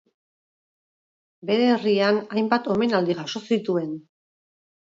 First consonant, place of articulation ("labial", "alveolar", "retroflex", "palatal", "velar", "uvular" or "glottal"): labial